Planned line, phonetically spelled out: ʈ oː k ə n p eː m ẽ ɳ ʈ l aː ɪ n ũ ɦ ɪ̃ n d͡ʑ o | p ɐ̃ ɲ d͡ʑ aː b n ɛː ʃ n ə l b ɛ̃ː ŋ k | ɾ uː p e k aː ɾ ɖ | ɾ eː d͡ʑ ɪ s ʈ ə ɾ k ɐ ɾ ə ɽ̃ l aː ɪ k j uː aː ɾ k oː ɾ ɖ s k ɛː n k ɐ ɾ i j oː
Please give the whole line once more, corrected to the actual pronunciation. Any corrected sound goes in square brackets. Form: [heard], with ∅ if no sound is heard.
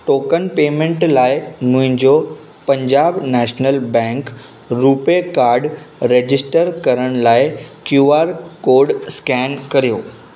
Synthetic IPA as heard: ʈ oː k ə n p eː m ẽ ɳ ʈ l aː ɪ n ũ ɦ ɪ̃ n d͡ʑ o | p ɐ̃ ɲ d͡ʑ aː b n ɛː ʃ n ə l b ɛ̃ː ŋ k | ɾ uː p e k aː ɾ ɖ | ɾ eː d͡ʑ ɪ s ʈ ə ɾ k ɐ ɾ ə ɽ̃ l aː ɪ k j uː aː ɾ k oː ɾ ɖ s k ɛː n k ɐ ɾ i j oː